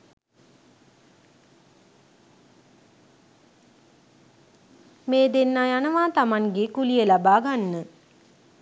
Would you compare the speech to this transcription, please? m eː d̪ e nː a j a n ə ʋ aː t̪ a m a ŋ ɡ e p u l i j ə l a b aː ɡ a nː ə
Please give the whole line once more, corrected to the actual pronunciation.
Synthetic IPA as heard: m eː d̪ e nː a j a n ə ʋ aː t̪ a m a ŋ ɡ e k u l i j ə l a b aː ɡ a nː ə